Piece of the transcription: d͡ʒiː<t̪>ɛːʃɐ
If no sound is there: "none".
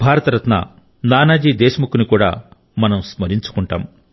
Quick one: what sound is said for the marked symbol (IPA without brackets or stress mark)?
d̪